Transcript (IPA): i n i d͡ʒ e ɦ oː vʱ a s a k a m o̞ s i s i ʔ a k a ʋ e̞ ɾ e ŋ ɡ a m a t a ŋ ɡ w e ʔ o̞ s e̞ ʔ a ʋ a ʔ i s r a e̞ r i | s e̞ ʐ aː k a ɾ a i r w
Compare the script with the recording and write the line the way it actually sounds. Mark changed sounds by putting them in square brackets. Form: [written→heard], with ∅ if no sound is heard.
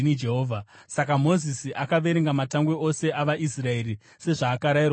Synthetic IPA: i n i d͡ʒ e ɦ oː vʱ a s a k a m o̞ [s→z] i s i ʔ a k a ʋ e̞ ɾ e ŋ ɡ a m a t a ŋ ɡ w e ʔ o̞ s e̞ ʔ a ʋ a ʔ i s r a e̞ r i | s e̞ ʐ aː k a ɾ a i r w